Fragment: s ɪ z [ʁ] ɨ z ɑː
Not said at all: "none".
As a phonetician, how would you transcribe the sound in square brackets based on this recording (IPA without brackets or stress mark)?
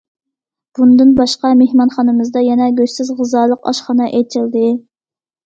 ʁ